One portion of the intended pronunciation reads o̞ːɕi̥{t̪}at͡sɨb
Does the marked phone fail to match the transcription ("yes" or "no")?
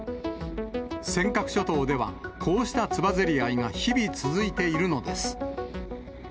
no